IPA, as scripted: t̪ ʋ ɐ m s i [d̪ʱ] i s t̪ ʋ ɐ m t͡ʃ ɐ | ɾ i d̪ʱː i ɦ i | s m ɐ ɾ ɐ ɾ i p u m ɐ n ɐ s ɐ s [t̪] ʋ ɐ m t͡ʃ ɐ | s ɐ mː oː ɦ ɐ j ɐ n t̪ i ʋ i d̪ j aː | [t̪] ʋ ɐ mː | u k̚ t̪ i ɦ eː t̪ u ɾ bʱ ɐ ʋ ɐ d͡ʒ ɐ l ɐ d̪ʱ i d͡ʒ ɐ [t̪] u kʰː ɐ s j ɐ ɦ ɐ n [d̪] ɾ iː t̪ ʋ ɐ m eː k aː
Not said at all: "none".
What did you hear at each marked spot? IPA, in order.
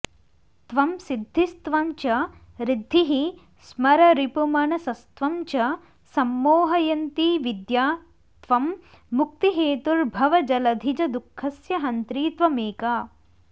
d̪ʱː, t̪, t̪, d̪, t̪

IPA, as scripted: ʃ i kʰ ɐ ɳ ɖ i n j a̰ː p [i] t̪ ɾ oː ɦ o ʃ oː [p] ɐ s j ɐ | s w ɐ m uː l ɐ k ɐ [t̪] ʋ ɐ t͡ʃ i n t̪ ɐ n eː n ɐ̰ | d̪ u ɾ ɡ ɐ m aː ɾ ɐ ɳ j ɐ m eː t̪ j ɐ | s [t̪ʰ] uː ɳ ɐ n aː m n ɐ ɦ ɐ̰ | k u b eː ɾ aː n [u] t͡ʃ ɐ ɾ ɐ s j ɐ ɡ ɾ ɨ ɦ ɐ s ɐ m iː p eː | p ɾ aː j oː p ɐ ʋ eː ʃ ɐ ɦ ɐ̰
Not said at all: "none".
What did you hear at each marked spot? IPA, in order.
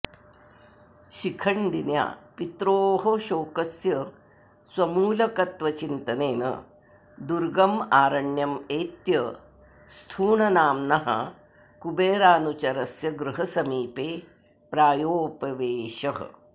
i, k, t̪, t̪ʰ, u

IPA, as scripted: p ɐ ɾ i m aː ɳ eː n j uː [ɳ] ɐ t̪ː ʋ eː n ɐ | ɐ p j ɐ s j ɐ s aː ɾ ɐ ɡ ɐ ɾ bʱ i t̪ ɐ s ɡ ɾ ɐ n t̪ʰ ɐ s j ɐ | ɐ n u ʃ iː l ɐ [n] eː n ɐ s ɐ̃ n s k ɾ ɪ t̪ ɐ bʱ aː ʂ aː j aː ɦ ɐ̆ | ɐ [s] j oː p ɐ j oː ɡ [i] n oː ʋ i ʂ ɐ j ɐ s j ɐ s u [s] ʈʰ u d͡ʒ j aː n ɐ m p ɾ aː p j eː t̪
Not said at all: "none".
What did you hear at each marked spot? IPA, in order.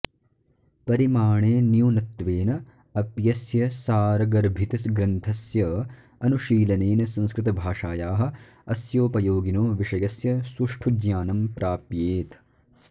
n, n, s, i, ʂ

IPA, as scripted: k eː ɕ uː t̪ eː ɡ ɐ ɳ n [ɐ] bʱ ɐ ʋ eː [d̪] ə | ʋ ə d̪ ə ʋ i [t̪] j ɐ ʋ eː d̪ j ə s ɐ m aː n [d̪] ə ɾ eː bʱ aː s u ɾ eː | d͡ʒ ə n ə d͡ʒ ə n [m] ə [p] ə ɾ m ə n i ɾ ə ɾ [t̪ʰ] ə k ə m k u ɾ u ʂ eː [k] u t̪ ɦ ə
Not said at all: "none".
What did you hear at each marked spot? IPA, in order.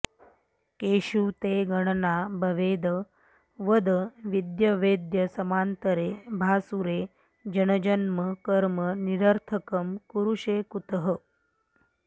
a, d̪, d̪, t̪, m, k, t̪ʰ, k

